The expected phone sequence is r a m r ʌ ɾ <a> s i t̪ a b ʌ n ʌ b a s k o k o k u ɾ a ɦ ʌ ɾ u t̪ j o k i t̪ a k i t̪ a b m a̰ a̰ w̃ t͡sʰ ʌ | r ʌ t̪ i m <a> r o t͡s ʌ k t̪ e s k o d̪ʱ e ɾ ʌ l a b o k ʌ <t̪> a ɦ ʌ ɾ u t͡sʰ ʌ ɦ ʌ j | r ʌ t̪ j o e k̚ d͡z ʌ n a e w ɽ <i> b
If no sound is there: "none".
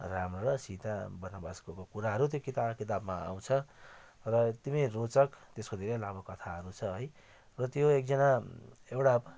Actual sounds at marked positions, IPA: ʌ, i, t̪ʰ, a

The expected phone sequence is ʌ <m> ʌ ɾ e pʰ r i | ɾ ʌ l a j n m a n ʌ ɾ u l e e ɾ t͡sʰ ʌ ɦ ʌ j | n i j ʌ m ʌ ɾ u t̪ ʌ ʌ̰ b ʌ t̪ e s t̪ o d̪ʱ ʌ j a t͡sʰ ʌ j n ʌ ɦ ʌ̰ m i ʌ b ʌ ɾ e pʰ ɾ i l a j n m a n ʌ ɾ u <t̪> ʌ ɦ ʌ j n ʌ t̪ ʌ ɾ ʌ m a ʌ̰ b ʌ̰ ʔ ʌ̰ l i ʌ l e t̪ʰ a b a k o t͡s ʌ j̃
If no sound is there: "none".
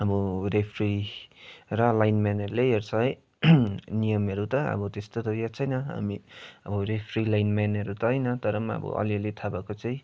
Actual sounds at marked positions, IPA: b, t̪

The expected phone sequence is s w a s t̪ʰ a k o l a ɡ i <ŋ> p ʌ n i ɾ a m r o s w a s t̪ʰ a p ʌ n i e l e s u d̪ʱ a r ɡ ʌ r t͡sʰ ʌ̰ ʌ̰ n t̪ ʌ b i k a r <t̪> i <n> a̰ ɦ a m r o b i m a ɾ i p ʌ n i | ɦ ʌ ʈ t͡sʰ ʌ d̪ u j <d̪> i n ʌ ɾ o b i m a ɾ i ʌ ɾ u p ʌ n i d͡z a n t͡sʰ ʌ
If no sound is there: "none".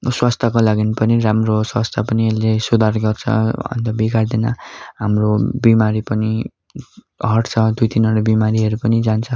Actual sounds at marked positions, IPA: n, d̪, n, t̪

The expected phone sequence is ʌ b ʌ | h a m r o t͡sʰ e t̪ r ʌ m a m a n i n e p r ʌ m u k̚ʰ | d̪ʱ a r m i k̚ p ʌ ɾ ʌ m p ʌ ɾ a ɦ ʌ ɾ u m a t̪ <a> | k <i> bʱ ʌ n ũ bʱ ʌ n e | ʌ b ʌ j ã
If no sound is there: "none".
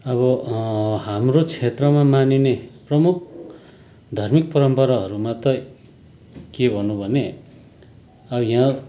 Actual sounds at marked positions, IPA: ʌ, e

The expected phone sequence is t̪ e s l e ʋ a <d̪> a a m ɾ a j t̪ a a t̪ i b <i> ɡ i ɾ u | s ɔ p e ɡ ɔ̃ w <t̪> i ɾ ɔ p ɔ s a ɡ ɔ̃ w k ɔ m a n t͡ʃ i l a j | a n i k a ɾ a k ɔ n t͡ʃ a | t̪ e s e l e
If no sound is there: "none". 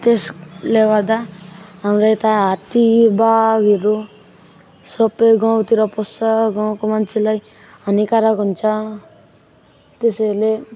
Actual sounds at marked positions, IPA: d̪, a, t̪

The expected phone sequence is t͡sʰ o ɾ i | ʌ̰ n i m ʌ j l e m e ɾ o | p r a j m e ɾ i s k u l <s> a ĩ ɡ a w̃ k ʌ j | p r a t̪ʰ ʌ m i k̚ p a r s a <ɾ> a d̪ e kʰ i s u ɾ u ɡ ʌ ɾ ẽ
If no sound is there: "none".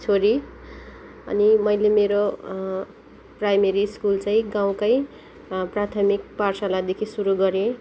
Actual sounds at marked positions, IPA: t͡s, l

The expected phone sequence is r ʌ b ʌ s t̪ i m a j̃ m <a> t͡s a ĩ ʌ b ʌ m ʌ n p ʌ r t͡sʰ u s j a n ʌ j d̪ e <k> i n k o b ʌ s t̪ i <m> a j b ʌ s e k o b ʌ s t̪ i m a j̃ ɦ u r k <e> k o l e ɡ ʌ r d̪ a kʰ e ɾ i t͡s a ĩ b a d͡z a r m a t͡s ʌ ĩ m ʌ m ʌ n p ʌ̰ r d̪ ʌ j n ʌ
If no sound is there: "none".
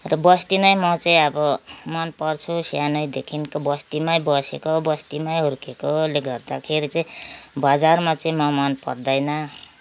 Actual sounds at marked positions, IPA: ʌ, kʰ, m, e

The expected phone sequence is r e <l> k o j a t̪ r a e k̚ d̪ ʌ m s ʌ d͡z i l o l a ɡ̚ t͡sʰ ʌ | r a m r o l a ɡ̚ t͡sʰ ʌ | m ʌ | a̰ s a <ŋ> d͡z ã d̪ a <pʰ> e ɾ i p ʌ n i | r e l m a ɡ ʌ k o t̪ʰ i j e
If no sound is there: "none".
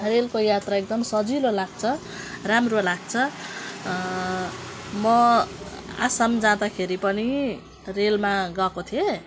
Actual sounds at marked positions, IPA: l, m, kʰ

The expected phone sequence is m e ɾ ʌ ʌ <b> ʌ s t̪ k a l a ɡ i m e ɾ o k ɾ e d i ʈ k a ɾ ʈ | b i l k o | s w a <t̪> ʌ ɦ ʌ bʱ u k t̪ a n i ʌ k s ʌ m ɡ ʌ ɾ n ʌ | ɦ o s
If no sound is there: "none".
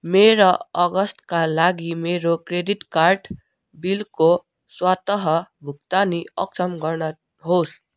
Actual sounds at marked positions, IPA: ɡ, t̪

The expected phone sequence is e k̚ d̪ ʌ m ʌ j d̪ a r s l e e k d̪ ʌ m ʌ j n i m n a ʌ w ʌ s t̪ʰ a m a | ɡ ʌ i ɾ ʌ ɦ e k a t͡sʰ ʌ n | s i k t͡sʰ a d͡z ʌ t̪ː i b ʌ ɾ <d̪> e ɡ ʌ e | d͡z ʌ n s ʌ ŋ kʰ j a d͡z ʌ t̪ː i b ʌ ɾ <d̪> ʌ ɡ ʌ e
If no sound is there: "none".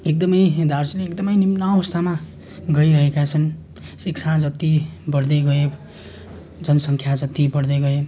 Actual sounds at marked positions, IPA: d̪, d̪

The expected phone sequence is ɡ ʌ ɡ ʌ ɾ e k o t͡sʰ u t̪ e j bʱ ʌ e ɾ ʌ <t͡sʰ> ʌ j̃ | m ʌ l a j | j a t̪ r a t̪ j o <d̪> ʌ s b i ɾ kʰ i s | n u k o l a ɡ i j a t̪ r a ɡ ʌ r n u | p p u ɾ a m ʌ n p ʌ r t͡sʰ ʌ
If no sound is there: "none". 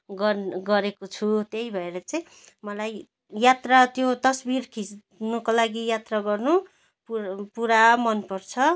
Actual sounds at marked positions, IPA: t͡s, t̪

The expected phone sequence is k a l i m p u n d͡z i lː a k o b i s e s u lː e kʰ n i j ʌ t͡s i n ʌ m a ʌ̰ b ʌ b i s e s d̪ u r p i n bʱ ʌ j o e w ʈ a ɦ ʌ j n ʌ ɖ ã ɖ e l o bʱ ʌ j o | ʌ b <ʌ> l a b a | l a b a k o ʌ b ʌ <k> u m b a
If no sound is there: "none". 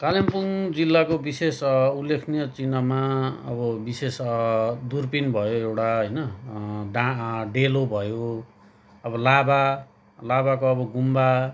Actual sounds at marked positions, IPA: ʌ, ɡ

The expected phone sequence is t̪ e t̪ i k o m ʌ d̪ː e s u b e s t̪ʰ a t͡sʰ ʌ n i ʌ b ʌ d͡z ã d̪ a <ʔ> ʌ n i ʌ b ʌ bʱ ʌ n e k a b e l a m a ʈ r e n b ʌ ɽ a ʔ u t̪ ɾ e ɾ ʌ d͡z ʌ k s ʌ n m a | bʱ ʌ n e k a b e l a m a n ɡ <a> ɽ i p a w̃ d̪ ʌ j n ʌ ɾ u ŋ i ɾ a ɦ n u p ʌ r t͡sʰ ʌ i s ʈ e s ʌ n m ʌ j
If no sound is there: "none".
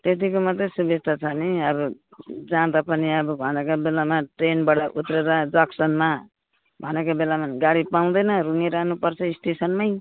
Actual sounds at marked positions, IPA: p, a

